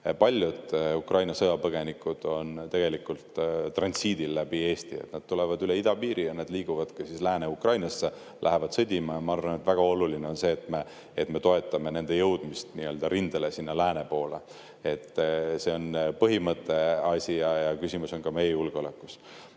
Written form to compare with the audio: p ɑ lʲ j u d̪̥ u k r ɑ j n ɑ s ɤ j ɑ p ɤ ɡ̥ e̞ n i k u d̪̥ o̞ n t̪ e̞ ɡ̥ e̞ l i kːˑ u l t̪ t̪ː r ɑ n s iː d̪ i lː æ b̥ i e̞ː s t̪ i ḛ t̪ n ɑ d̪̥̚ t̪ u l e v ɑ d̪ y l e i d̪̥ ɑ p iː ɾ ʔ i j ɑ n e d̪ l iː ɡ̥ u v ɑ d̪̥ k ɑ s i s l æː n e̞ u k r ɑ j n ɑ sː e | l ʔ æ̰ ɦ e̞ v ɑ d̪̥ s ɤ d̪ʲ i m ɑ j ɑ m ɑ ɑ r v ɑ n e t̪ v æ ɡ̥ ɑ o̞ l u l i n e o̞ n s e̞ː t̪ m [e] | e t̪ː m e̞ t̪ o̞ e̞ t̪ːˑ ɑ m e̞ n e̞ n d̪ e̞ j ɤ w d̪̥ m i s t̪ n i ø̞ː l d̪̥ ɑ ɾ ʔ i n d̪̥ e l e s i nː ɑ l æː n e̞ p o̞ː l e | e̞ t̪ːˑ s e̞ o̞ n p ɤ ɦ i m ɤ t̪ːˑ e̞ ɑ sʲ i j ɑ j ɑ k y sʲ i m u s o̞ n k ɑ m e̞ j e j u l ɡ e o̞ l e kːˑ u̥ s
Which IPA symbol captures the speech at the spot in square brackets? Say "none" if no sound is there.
e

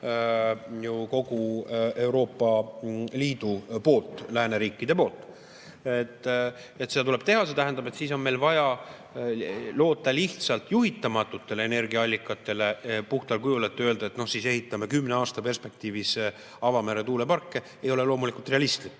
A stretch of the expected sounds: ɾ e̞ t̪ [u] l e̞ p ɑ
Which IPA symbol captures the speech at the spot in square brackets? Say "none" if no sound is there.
uː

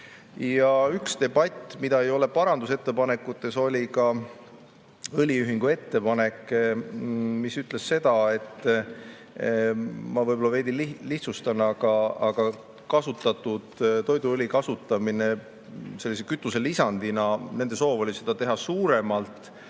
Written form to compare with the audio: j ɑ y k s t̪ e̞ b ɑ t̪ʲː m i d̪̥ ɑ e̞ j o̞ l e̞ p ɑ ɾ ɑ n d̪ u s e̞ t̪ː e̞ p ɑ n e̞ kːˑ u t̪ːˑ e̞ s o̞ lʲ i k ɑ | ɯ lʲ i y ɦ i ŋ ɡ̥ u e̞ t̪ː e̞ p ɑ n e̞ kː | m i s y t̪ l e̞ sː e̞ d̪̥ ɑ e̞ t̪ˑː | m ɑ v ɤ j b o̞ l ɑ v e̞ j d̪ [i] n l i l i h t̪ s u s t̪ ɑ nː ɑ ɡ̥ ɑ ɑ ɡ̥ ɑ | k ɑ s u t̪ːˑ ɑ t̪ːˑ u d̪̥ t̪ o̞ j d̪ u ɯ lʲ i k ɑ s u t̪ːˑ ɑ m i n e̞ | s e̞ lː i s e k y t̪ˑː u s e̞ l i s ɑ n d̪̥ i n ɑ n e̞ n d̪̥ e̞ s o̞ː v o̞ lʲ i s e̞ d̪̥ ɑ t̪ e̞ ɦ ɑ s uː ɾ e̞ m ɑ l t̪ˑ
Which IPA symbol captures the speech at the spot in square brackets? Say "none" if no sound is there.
i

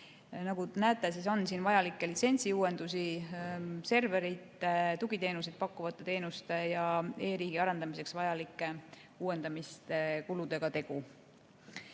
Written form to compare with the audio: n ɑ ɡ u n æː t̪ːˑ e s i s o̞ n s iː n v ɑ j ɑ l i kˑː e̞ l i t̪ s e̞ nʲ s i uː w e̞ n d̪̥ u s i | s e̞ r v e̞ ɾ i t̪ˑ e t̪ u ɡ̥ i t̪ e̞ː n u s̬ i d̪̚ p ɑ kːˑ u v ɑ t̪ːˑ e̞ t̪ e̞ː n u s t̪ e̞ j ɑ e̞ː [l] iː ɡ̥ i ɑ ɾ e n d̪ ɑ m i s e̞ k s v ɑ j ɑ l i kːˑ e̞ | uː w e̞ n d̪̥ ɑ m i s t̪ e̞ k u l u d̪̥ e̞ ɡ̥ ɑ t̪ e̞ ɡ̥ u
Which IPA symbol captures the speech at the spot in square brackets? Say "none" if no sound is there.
ɾ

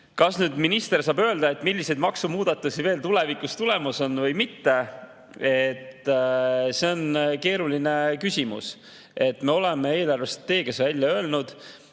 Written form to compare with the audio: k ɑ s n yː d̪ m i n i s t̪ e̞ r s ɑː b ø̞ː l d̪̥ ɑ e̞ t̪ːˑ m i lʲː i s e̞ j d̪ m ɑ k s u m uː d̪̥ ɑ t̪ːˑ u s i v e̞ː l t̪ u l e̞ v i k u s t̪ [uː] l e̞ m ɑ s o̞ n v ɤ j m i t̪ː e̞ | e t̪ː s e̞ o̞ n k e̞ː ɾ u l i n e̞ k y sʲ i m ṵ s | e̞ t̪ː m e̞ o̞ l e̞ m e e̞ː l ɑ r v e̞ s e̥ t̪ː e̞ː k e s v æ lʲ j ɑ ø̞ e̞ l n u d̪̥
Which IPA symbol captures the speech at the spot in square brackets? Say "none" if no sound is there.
u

